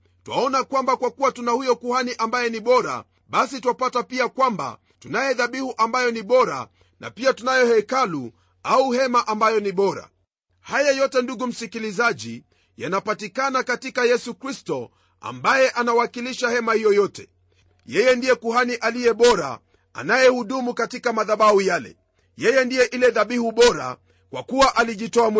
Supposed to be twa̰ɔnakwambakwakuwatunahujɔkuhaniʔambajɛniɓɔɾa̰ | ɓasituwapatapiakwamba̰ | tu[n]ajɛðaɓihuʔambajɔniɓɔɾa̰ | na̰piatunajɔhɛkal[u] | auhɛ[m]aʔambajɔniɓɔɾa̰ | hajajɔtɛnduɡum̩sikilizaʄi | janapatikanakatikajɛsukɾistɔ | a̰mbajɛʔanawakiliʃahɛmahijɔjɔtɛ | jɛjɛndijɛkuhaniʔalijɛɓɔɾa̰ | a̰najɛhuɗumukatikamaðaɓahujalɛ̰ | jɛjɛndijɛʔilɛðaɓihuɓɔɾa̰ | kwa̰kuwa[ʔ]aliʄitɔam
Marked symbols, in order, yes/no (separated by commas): yes, yes, yes, yes